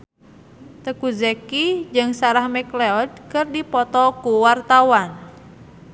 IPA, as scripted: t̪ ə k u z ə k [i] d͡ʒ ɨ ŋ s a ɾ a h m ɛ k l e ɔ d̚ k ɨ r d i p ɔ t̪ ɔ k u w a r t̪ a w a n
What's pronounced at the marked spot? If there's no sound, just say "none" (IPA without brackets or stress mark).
i